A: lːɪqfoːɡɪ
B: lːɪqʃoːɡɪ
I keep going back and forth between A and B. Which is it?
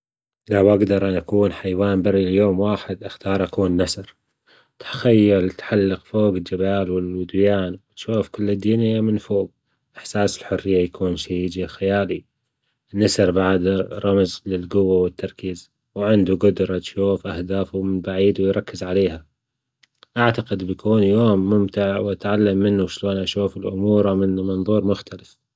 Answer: A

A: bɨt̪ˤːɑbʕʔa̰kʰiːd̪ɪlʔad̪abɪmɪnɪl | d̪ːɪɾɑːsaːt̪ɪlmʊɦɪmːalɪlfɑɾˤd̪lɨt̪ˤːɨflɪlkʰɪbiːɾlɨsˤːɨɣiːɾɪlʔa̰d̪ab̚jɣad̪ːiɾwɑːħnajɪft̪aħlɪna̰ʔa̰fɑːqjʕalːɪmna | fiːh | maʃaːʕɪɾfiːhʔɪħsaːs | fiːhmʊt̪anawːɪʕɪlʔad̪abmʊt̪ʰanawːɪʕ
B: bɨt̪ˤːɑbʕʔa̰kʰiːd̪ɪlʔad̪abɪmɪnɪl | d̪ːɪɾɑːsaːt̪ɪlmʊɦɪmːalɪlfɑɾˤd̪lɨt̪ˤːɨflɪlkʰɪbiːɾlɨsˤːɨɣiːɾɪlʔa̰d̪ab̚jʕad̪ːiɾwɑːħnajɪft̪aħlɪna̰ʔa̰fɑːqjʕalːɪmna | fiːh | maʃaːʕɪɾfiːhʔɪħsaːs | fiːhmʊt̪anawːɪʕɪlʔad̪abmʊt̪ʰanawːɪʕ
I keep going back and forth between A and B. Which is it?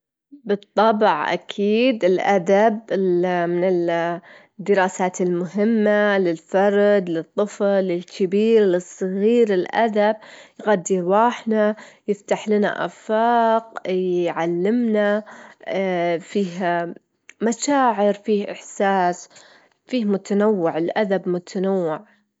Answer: A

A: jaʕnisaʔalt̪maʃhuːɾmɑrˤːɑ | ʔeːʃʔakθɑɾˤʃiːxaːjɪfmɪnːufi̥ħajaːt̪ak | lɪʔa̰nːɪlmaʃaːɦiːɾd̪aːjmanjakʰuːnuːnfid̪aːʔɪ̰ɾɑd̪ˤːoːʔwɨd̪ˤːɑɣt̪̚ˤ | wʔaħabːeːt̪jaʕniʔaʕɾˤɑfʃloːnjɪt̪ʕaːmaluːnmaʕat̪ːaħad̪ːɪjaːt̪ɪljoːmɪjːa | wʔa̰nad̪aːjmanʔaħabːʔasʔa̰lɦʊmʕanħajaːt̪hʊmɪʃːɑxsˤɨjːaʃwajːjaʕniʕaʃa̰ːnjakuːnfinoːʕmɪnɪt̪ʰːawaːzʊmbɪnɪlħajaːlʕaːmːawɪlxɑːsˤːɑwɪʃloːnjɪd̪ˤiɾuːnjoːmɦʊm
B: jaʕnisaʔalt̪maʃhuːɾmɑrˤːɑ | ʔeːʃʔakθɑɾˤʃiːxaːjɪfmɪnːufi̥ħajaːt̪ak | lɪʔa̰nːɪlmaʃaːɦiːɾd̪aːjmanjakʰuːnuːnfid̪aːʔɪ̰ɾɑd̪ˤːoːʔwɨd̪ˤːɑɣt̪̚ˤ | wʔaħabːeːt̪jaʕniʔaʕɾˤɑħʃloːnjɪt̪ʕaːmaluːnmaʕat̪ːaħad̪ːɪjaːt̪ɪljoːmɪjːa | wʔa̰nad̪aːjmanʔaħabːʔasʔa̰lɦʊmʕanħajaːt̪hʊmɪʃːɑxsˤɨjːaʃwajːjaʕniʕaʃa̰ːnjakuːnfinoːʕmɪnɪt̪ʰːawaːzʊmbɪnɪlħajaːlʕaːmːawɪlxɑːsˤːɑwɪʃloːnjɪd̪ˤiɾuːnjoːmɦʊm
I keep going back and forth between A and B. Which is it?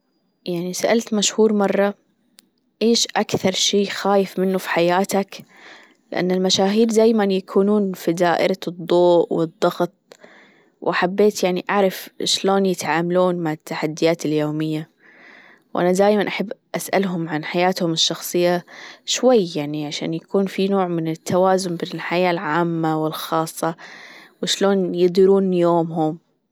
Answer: A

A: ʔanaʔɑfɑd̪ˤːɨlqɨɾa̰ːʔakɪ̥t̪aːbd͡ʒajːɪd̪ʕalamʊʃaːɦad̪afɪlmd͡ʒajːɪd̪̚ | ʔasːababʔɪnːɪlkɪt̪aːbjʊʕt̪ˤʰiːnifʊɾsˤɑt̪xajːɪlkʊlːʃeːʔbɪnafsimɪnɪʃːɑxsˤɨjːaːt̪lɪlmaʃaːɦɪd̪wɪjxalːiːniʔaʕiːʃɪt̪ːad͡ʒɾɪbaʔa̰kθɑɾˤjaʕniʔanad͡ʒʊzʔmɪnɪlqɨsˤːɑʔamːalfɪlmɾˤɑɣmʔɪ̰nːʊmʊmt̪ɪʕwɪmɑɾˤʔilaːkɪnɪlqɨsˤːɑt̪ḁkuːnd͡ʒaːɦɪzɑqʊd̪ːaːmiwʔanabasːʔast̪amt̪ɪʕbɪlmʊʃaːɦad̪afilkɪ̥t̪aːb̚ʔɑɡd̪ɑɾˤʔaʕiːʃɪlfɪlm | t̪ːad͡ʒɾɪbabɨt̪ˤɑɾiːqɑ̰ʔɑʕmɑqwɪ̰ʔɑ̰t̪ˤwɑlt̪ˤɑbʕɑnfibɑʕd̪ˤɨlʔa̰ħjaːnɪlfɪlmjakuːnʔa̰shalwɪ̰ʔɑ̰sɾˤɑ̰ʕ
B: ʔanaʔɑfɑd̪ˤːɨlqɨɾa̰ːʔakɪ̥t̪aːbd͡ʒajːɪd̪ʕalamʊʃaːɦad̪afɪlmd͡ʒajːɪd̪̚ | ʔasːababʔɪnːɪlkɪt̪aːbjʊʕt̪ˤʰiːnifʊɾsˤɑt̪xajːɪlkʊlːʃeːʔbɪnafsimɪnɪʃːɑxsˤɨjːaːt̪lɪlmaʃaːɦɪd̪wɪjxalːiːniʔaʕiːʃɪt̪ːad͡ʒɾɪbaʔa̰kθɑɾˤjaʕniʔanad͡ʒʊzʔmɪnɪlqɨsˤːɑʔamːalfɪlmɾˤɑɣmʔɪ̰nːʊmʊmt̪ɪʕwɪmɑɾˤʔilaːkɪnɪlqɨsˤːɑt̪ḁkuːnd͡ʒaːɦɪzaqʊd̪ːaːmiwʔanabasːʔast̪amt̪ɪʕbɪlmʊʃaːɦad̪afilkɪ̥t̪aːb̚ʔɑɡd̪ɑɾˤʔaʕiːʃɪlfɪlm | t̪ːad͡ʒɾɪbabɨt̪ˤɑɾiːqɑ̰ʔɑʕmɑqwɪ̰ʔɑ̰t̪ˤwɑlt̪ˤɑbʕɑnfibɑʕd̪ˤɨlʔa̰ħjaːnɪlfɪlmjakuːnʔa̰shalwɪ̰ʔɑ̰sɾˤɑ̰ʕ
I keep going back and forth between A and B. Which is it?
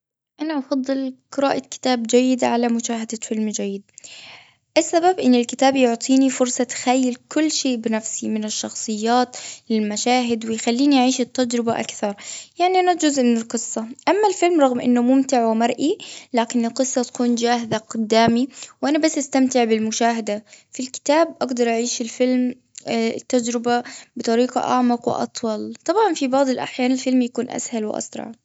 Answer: B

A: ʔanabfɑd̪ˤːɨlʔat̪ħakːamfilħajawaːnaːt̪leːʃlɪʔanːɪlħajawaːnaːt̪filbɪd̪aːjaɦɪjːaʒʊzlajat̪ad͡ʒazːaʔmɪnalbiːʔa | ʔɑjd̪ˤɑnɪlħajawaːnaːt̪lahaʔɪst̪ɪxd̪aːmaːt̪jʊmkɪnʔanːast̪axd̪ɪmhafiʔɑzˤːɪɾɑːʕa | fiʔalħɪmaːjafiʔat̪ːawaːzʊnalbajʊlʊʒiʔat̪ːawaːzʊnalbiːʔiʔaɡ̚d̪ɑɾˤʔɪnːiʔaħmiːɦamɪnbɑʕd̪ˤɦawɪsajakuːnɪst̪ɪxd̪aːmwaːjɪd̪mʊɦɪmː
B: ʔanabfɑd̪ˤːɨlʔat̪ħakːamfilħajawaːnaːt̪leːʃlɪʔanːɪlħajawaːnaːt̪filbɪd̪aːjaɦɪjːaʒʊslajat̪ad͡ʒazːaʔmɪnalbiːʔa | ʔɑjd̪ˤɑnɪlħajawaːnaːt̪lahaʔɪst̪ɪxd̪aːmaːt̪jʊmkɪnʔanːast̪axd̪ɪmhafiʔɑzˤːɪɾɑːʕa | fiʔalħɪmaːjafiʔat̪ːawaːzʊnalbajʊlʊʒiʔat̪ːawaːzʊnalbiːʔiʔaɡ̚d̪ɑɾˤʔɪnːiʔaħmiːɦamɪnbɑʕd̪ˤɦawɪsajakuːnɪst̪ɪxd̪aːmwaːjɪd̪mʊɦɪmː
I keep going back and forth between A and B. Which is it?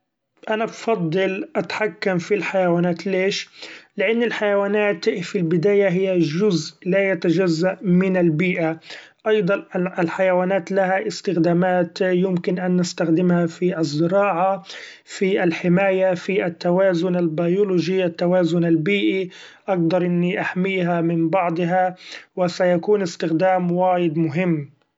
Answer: A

